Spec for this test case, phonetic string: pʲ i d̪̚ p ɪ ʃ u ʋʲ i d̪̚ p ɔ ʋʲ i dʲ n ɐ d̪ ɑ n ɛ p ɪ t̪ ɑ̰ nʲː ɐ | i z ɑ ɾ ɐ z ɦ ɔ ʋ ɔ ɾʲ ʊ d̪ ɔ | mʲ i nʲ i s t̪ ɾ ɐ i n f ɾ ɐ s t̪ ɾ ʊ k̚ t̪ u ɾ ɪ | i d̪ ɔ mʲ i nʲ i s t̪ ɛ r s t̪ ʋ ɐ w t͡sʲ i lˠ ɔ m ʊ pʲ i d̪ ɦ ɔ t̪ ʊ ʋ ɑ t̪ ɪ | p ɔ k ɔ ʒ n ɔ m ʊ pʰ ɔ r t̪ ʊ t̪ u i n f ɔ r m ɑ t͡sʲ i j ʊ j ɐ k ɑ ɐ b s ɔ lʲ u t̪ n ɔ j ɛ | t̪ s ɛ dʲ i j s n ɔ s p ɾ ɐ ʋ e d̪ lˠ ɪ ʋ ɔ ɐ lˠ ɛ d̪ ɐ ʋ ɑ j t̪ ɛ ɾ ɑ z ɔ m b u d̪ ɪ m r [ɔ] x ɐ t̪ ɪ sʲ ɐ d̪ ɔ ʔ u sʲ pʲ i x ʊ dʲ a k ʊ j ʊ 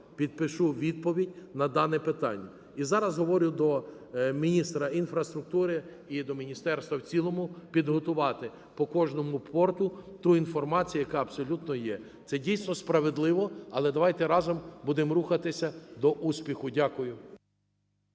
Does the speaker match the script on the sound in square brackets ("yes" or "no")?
no